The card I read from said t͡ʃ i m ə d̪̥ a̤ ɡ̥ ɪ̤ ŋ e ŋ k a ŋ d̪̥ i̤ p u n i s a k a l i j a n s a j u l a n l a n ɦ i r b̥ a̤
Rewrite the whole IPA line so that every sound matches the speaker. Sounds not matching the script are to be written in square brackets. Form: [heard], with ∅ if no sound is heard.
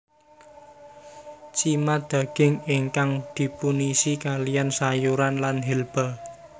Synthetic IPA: t͡ʃ i m [a] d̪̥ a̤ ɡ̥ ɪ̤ ŋ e ŋ k a ŋ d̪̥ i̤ p u n i s [i] k a l i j a n s a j u [ɾ] a n l a n ɦ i [l] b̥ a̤

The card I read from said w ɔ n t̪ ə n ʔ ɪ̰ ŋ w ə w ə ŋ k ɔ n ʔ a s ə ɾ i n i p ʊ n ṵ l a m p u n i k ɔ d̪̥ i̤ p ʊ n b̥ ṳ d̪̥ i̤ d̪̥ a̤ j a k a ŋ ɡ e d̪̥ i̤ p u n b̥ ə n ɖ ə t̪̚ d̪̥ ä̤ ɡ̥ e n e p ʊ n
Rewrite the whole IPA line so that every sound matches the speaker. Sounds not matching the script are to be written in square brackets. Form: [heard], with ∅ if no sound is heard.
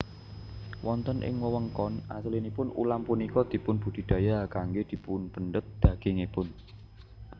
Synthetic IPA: w ɔ n t̪ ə n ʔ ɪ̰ ŋ w ə w ə ŋ k ɔ n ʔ a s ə [l] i n i p ʊ n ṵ l a m p u n i k ɔ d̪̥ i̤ p ʊ n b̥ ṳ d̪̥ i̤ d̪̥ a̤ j a k a ŋ ɡ e d̪̥ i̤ p u n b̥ ə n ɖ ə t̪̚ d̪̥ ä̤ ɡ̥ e [ŋ] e p ʊ n

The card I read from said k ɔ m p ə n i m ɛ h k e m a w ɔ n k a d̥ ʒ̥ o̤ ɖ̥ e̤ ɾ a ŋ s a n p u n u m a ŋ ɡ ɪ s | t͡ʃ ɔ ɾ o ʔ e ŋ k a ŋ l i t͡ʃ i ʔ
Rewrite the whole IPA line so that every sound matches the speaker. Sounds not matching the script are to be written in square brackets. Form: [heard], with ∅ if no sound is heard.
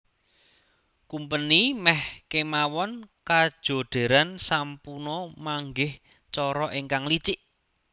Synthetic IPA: k [u] m p ə n i m ɛ h k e m a w ɔ n k a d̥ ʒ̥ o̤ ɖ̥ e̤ ɾ a [n] s a [m] p u n [ɔ] m a ŋ ɡ ɪ [h] | t͡ʃ ɔ ɾ [ɔ] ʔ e ŋ k a ŋ l i t͡ʃ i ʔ

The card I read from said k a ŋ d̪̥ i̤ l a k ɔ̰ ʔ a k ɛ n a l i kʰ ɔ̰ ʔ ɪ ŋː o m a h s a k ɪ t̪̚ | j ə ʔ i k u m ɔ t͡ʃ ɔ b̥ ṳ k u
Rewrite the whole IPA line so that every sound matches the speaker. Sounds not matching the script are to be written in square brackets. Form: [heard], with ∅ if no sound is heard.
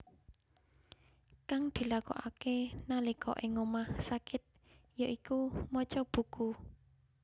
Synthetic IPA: k a ŋ d̪̥ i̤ l a k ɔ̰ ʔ a k [e] n a l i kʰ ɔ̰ ʔ ɪ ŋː o m a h s a k ɪ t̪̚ | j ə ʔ i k u m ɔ t͡ʃ ɔ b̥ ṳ k u

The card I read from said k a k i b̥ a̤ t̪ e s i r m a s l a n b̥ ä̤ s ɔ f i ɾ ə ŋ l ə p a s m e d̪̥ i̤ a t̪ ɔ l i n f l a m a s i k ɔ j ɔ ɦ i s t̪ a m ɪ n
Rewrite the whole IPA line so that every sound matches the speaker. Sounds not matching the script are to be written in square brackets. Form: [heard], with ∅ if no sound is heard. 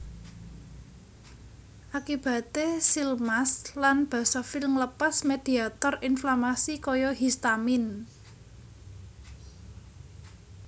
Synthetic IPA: [ʔ] a k i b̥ a̤ t̪ e s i [l] m a s l a n b̥ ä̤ s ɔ f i [l] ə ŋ l ə p a s m e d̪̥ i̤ a t̪ ɔ [r] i n f l a m a s i k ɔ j ɔ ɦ i s t̪ a m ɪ n

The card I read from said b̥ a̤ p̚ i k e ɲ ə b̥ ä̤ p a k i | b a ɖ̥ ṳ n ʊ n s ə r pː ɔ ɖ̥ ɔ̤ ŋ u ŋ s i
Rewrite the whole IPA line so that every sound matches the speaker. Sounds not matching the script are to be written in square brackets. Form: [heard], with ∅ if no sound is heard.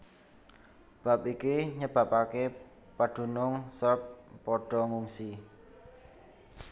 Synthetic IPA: b̥ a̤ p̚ i k [i] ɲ ə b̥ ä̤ p a k [e] | [p] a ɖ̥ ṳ n ʊ [ŋ] s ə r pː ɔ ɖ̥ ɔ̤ ŋ u ŋ s i

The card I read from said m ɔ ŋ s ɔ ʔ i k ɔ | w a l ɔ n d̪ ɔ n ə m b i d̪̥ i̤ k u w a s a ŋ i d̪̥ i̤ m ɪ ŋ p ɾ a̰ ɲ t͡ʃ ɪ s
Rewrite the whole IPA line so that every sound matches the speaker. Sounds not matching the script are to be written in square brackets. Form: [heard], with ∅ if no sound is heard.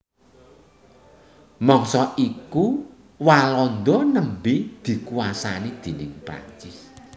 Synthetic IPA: m ɔ ŋ s ɔ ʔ i k [u] | w a l ɔ n d̪ ɔ n ə m b i d̪̥ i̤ k u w a s a [n] i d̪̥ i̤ [n] ɪ ŋ p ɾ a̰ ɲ t͡ʃ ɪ s

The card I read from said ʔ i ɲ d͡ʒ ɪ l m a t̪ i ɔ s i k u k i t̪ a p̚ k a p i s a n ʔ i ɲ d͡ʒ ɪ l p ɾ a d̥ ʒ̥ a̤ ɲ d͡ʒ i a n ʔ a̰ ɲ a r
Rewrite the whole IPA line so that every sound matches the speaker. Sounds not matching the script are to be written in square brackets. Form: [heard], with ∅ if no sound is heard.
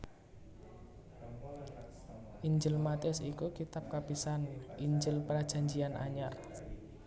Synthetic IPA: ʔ i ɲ d͡ʒ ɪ l m a t̪ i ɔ s i k u k i t̪ a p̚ k a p i s a n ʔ i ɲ d͡ʒ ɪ l p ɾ a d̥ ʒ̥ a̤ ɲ d͡ʒ i a n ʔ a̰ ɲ a r

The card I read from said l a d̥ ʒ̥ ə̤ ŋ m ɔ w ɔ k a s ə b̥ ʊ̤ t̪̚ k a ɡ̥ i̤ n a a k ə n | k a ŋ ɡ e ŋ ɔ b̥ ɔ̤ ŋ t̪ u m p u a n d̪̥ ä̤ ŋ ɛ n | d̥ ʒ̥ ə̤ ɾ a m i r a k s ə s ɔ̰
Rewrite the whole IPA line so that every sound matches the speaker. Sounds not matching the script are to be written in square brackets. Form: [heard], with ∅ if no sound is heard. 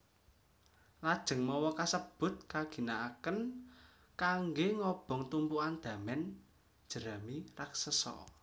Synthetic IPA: l a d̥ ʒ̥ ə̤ ŋ m ɔ w ɔ k a s ə b̥ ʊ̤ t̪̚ k a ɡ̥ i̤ n a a k ə n | k a ŋ ɡ e ŋ ɔ b̥ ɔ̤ ŋ t̪ u m p u a n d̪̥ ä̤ [m] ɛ n | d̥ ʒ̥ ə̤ ɾ a m i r a k s ə s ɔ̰

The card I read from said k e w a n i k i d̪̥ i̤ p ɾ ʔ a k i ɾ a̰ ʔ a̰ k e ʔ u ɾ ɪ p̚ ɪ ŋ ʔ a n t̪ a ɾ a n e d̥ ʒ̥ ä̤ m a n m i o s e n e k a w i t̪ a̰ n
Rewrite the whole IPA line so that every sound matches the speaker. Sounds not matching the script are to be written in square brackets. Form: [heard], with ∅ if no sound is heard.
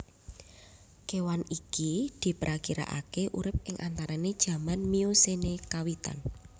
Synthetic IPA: k e w a n i k i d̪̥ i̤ p ɾ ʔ a k i ɾ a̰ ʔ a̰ k e ʔ u ɾ ɪ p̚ ɪ ŋ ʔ a n t̪ a ɾ a n e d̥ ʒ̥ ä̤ m a n m i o s e n e k a w i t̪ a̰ n

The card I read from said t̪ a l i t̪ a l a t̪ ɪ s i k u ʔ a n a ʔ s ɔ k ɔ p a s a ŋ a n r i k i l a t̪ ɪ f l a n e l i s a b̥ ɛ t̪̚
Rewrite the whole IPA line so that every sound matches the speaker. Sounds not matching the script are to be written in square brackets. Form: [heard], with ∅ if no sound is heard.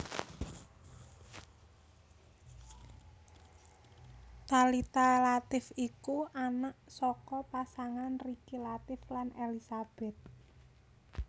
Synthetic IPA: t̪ a l i t̪ a l a t̪ ɪ [f] i k u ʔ a n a ʔ s ɔ k ɔ p a s a ŋ a n r i k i l a t̪ ɪ f l a n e l i s a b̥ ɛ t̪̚

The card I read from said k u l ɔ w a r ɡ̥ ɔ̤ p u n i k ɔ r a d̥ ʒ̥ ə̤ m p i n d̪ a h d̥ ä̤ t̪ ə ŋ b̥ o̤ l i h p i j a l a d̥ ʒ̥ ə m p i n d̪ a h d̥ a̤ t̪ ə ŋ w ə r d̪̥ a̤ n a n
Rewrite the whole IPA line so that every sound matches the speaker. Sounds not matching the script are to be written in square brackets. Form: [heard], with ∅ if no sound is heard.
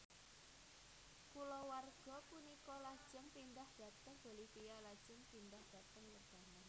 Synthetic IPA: k u l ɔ w a r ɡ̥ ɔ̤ p u n i k ɔ [l] a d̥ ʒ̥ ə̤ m p i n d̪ a h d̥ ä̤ t̪ ə ŋ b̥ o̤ l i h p i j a l a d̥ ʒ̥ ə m p i n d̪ a h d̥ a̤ t̪ ə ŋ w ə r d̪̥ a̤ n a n

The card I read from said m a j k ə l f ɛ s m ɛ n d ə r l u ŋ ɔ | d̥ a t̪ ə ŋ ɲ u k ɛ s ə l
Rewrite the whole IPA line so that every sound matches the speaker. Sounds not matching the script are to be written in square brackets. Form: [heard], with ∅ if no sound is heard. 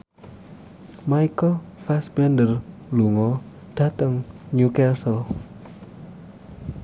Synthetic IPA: m a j k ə l f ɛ s [b] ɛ n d ə r l u ŋ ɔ | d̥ a t̪ ə ŋ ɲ u k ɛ s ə l

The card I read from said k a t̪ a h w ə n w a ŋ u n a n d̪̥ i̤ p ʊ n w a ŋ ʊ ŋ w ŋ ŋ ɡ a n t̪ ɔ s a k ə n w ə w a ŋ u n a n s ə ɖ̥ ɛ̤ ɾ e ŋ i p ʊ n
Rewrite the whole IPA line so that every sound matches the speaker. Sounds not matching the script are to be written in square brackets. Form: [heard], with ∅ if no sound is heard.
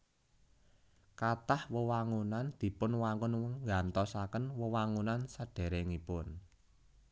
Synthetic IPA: k a t̪ a h w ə [∅] w a ŋ u n a n d̪̥ i̤ p ʊ n w a ŋ ʊ [n] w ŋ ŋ ɡ a n t̪ ɔ s a k ə n w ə w a ŋ u n a n s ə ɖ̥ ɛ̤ ɾ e ŋ i p ʊ n

